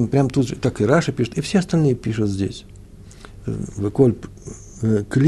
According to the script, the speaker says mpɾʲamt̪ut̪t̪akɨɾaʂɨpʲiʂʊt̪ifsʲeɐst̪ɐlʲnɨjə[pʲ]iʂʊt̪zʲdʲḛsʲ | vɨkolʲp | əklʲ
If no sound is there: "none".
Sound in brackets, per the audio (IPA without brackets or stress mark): pʲ